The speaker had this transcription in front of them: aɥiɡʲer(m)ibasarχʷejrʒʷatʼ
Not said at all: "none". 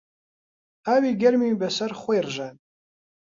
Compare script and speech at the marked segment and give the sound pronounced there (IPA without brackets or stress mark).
m